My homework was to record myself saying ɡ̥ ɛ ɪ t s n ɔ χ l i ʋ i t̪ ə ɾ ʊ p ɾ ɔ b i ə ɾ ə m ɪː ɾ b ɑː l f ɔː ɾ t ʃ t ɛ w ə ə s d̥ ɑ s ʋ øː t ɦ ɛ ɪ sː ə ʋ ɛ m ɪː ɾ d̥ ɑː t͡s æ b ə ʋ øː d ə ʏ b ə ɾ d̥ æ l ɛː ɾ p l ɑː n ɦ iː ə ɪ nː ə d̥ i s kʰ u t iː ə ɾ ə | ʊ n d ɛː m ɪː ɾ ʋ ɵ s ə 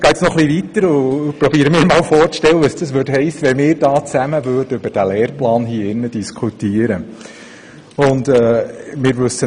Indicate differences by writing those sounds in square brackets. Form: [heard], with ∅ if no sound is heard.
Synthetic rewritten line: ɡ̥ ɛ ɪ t s n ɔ χ l i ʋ i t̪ ə ɾ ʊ p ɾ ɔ b i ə ɾ ə m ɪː ɾ [m] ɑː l f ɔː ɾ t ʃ t ɛ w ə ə s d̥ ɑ s ʋ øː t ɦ ɛ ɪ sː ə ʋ ɛ m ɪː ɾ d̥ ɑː t͡s æ [m] ə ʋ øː d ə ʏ b ə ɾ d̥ æ l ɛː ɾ p l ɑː n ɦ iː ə ɪ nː ə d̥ i s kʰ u t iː ə ɾ ə | ʊ n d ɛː m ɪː ɾ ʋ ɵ s ə